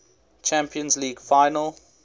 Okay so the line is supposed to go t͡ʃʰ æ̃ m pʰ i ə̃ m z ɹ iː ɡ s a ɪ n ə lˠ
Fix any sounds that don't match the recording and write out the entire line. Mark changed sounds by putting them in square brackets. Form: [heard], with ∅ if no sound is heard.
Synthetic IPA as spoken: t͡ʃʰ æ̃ m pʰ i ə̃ [n] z [l] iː ɡ [f] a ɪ n ə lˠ